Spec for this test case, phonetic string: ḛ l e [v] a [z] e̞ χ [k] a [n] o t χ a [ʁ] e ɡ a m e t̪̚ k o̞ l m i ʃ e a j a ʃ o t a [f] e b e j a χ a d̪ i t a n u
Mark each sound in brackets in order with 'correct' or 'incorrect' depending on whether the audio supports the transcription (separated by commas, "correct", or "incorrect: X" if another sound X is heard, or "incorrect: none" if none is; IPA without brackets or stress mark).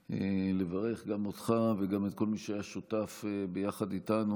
correct, incorrect: ʁ, incorrect: ɡ, incorrect: m, incorrect: v, correct